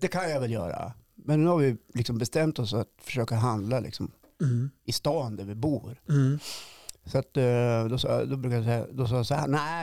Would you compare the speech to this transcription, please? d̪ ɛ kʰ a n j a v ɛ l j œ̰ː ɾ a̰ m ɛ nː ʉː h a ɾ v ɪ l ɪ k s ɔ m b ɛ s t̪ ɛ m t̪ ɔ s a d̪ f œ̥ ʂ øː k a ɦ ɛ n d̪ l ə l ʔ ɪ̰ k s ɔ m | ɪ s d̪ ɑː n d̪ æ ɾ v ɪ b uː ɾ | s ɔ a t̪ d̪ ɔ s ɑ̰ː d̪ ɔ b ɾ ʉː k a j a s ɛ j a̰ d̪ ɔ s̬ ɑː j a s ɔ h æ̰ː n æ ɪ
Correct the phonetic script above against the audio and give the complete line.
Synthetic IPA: d̪ ɛ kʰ a n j a v ɛ l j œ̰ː ɾ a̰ m ɛ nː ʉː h a ɾ v ɪ l ɪ k s ɔ m b ɛ s t̪ ɛ m t̪ ɔ s a t̪ f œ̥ ʂ øː k a ɦ a n d̪ l a l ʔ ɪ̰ k s ɔ m | ɪ s t̪ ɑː n d̪ æ ɾ v ɪ b uː ɾ | s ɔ a t̪ d̪ ɔ s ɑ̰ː d̪ ɔ b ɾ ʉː k a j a s ɛ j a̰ d̪ ɔ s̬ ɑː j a s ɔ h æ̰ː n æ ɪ